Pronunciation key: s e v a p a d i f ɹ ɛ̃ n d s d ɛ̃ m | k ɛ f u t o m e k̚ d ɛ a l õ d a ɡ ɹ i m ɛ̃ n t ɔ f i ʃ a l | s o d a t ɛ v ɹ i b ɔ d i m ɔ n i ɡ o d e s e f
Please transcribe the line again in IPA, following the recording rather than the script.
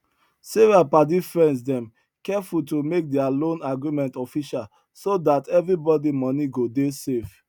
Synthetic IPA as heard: s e v a p a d i f ɹ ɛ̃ n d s d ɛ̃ m | k ɛ f u t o m e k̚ d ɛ a l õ n a ɡ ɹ i m ɛ̃ n t ɔ f i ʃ a l | s o d a t ɛ v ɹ i b ɔ d i m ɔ n i ɡ o d e s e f